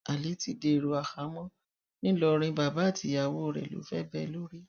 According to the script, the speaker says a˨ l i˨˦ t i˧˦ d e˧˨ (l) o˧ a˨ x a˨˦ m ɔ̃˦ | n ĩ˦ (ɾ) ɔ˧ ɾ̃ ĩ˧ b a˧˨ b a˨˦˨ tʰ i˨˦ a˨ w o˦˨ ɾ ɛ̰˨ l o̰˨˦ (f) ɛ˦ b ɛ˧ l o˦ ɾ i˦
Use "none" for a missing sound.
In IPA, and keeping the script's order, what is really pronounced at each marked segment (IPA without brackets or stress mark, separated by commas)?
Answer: ɾ, l, f